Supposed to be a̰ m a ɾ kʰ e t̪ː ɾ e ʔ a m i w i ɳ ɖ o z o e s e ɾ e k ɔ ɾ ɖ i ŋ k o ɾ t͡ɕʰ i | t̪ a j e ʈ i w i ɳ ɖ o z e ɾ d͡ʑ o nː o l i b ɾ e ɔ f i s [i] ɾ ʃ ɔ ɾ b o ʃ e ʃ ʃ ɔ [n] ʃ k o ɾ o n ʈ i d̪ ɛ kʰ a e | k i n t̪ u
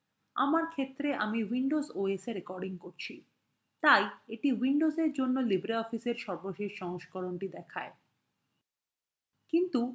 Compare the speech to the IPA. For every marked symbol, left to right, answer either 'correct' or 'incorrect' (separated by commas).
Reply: incorrect, incorrect